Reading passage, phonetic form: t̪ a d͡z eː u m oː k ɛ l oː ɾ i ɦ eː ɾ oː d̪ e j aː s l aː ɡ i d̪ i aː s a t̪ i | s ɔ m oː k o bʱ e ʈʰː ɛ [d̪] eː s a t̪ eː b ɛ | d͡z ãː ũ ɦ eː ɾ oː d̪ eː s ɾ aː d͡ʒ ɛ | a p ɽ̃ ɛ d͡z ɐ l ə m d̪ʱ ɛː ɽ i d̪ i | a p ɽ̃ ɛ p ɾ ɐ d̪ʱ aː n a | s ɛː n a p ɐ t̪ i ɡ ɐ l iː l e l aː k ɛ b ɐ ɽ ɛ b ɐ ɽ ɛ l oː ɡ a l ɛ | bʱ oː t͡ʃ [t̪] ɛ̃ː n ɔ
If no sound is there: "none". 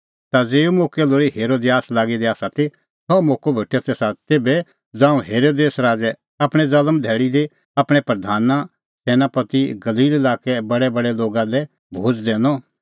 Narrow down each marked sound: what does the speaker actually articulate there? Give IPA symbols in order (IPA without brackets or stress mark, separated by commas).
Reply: t̪, d̪